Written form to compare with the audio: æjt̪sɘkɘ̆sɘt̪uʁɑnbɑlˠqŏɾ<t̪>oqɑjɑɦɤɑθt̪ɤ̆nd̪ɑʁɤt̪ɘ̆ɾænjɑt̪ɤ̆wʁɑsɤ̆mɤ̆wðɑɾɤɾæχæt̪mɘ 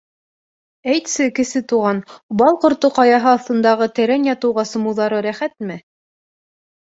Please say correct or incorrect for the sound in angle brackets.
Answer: correct